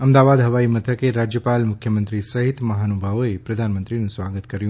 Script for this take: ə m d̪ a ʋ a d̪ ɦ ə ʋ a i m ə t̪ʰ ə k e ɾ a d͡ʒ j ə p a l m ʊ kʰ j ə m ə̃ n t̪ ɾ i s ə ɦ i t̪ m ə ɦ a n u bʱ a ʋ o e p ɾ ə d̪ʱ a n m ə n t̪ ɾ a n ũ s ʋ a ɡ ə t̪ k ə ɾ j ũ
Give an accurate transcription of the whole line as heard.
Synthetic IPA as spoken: ə m d̪ a ʋ a d̪ ɦ ə ʋ a i m ə t̪ʰ ə k e ɾ a d͡ʒ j ə p a l m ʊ kʰ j ə m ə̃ n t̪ ɾ i s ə ɦ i t̪ m ə ɦ a n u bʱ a ʋ o e p ɾ ə d̪ʱ a n m ə n t̪ ɾ i n ũ s ʋ a ɡ ə t̪ k ə ɾ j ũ